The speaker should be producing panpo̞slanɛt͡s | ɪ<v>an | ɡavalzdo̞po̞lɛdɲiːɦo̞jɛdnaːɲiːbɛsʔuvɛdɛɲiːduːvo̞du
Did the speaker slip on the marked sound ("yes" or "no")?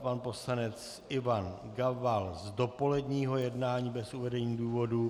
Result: no